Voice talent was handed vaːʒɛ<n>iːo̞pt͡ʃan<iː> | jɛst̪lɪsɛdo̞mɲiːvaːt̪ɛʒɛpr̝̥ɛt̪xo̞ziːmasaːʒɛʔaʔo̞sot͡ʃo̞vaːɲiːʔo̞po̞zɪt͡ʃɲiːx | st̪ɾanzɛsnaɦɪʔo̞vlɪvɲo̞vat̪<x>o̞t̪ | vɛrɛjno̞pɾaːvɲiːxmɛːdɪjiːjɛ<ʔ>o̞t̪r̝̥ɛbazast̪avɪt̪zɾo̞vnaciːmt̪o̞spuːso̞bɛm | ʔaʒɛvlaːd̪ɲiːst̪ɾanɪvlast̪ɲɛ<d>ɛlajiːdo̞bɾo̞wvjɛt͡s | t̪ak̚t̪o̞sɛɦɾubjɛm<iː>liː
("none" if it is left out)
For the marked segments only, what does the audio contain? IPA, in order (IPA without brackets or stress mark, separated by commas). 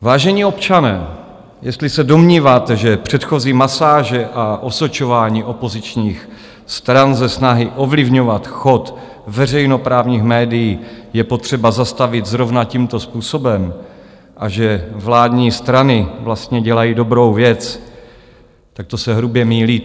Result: ɲ, ɛː, x, p, ɟ, iː